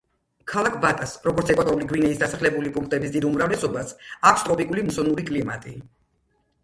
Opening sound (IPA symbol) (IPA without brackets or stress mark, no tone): kʰ